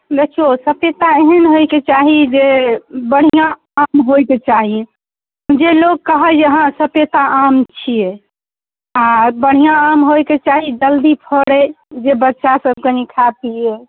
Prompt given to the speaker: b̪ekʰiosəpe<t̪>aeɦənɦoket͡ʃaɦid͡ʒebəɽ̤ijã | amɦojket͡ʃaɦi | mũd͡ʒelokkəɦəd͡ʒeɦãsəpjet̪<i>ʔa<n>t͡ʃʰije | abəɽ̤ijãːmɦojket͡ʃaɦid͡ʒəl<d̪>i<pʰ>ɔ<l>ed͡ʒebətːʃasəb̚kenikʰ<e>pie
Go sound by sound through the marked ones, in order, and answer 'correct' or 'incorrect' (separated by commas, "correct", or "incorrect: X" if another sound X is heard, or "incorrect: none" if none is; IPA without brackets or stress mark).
correct, incorrect: a, incorrect: m, correct, correct, incorrect: ɽ, incorrect: a